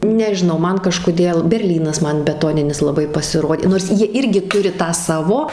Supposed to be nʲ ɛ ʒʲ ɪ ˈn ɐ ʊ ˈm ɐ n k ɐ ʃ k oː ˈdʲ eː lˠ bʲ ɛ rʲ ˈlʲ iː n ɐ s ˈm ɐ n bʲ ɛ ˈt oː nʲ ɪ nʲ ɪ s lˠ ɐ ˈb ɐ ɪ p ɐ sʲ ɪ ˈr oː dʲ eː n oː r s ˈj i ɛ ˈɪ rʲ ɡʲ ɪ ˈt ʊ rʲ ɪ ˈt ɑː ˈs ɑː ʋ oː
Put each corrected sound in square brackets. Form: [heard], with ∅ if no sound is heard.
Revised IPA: nʲ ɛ ʒʲ ɪ ˈn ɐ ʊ ˈm ɐ n k ɐ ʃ k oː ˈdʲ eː lˠ bʲ ɛ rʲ ˈlʲ iː n ɐ s ˈm ɐ n bʲ ɛ ˈt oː nʲ ɪ nʲ ɪ s lˠ ɐ ˈb ɐ ɪ p ɐ sʲ ɪ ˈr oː dʲ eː n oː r s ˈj i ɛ ˈɪ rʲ ɡʲ ɪ ˈt ʊ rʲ ɪ ˈt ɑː ˈs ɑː ʋ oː